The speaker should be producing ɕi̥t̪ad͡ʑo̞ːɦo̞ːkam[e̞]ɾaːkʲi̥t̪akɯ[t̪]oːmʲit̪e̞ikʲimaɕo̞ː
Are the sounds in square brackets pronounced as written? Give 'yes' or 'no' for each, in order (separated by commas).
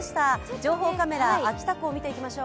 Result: yes, no